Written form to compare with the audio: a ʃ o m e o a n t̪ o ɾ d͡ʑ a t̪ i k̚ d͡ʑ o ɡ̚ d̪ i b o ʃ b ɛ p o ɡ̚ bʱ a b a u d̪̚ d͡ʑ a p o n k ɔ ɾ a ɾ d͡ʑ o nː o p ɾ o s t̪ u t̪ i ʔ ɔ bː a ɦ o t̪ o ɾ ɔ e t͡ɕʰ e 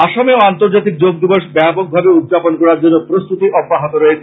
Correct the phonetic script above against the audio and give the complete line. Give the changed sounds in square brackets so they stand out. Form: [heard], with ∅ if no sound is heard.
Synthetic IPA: a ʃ o m e o a n t̪ o ɾ d͡ʑ a t̪ i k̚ d͡ʑ o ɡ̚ d̪ i b o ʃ b ɛ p o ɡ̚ bʱ a b [e] u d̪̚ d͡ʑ a p o n k ɔ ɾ a ɾ d͡ʑ o nː o p ɾ o s t̪ u t̪ i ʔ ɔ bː a ɦ o t̪ o ɾ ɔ e t͡ɕʰ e

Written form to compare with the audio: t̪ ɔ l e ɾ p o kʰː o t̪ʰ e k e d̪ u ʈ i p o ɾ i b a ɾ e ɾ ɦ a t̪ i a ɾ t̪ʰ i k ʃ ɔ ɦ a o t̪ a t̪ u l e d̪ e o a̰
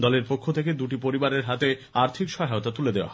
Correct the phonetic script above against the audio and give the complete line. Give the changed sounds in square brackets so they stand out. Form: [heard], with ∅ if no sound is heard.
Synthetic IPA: [d̪] ɔ l e ɾ p o kʰː o t̪ʰ e k e d̪ u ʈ i p o ɾ i b a ɾ e ɾ ɦ a t̪ [e] a ɾ t̪ʰ i k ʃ ɔ ɦ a o t̪ a t̪ u l e d̪ e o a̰

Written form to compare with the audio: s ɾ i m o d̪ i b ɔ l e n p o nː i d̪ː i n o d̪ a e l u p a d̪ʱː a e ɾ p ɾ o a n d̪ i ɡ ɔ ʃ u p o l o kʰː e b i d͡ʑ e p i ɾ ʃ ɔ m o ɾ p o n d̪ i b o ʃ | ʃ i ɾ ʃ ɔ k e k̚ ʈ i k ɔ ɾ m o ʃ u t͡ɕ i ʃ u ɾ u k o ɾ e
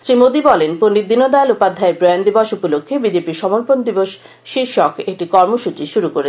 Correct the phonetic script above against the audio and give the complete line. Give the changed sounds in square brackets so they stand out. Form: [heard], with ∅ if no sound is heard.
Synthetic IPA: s ɾ i m o d̪ i b ɔ l e n p o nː i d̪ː i n o d̪ a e l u p a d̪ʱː a e ɾ p ɾ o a n d̪ i [b] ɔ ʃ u p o l o kʰː e b i d͡ʑ e p i ɾ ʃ ɔ m o ɾ p o n d̪ i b o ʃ | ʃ i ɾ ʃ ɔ k e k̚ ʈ i k ɔ ɾ m o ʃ u t͡ɕ i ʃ u ɾ u k o ɾ e

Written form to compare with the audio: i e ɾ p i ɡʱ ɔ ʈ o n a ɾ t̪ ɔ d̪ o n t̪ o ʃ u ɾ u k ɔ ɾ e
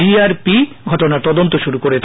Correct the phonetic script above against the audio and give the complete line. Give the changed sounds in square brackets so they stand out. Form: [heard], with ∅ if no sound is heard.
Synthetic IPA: i [a] ɾ p i ɡʱ ɔ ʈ o n a ɾ t̪ ɔ d̪ o n t̪ o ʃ u ɾ u k [o] ɾ e

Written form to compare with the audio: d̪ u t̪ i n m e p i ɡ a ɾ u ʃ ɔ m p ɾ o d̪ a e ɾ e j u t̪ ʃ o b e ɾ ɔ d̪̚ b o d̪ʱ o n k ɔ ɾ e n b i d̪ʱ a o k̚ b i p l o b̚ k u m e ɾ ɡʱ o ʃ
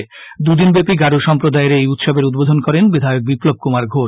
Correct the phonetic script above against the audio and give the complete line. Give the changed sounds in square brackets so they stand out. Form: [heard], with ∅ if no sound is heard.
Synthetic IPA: d̪ u [d̪] i n [b] e p i ɡ a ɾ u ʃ ɔ m p ɾ o d̪ a e ɾ e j u t̪ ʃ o b e ɾ [u] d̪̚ b o d̪ʱ o n k ɔ ɾ e n b i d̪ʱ a o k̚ b i p l o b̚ k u m [a] ɾ ɡʱ o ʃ

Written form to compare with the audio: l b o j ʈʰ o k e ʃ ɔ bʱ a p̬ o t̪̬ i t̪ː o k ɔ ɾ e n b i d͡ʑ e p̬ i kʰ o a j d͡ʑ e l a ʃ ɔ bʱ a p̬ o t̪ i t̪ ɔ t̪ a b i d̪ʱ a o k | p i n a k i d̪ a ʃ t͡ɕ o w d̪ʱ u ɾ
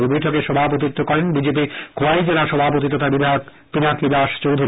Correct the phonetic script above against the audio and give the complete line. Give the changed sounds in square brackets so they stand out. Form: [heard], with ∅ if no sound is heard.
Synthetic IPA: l b o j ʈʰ o k e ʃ ɔ bʱ a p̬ o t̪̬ i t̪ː o k ɔ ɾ e n b i d͡ʑ e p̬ i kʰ o a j d͡ʑ e l a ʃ ɔ bʱ a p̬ o t̪ i t̪ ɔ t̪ a b i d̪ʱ a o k | p i n a k i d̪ a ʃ t͡ɕ o w d̪ʱ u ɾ

